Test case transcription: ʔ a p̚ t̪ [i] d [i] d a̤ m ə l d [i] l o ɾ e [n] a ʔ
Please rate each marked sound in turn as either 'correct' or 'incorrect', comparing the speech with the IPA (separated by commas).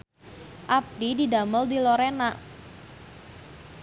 correct, correct, correct, correct